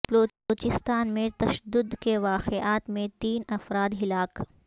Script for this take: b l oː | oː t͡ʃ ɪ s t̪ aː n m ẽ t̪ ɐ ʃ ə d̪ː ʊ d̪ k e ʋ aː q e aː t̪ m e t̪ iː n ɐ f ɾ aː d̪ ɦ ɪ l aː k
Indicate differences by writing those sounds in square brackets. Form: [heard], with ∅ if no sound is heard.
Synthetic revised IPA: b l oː | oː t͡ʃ ɪ s t̪ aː n m ẽ t̪ ɐ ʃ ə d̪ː ʊ d̪ k e ʋ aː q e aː t̪ m [ẽ] t̪ iː n ɐ f ɾ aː d̪ ɦ ɪ l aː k